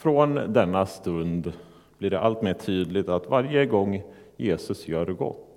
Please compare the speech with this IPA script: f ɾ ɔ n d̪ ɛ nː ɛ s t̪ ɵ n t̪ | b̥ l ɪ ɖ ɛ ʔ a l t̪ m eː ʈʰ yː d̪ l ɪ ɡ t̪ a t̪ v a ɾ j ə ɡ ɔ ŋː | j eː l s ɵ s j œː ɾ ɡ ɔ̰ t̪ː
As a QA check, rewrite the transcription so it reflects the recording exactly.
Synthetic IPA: f ɾ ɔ n d̪ ɛ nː a s t̪ ɵ n d̪ | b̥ l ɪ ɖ ɛ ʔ a l t̪ m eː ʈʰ yː d̪ l ɪ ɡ t̪ a t̪ v a ɾ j ə ɡ ɔ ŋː | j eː s ɵ s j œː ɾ ɡ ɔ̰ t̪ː